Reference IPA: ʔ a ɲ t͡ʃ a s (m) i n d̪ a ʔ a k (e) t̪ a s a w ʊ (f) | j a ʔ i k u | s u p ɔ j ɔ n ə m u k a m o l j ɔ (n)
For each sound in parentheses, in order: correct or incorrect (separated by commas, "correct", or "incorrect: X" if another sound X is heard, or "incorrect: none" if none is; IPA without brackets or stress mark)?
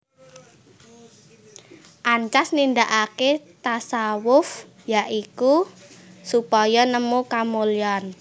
incorrect: n, correct, correct, correct